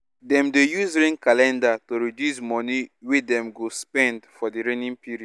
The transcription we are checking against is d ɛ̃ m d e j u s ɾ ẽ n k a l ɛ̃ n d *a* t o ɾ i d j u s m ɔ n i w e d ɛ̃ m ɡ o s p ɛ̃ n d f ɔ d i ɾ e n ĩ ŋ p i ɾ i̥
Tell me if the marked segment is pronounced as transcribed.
yes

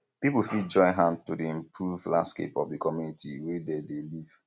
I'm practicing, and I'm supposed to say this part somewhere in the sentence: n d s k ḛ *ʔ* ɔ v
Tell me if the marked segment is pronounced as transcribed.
no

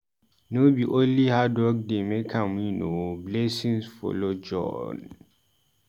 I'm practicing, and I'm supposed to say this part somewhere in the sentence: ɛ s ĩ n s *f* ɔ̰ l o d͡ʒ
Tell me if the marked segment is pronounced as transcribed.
yes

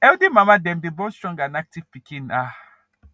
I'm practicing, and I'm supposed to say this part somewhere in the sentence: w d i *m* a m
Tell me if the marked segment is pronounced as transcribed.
yes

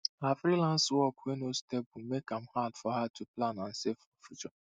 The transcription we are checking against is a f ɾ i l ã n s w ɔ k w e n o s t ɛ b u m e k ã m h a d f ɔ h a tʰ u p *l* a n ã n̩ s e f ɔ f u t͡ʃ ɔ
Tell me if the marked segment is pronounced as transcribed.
yes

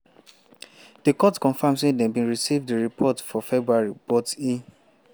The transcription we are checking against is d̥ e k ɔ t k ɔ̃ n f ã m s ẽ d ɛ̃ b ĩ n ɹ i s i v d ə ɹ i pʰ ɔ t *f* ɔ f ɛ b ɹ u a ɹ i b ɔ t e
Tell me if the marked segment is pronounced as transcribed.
yes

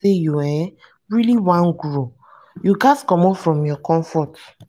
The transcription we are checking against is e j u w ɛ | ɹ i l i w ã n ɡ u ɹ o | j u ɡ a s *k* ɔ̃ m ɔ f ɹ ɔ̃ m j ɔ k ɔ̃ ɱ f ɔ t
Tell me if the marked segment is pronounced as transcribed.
yes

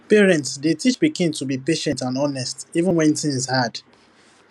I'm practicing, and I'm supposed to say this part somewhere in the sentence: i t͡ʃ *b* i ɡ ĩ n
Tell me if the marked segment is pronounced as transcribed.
yes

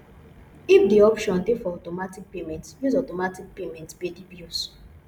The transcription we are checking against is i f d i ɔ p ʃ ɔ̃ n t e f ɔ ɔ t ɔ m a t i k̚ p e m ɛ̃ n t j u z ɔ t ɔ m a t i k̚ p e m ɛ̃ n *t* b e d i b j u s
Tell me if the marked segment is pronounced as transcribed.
yes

